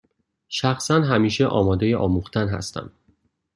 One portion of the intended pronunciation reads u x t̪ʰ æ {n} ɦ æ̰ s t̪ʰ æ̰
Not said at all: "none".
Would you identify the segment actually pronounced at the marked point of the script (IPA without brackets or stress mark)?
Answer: n